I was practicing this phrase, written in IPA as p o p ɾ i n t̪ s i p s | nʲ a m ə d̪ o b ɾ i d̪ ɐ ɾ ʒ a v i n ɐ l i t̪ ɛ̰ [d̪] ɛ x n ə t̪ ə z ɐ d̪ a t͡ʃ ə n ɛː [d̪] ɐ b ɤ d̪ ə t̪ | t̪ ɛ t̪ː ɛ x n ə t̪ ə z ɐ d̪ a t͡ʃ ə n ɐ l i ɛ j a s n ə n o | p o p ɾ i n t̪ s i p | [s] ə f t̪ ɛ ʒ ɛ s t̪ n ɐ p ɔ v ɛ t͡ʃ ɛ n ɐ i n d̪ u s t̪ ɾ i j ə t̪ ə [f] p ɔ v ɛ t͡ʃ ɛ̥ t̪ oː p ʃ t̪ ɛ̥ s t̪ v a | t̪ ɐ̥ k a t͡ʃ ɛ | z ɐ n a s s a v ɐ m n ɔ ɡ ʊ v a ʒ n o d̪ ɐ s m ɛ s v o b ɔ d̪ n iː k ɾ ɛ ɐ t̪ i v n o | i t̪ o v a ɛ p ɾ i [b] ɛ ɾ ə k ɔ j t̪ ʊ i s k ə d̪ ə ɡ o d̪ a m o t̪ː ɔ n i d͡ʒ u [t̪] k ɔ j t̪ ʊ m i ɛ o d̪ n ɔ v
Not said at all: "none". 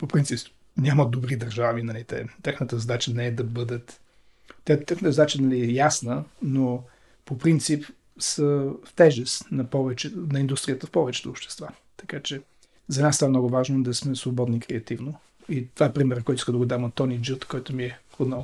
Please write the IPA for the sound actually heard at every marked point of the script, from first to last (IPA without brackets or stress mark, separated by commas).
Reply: t̪, d̪, s, f, m, t̪